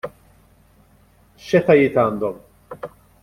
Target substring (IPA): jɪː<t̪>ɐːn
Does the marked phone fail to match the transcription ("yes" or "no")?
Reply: no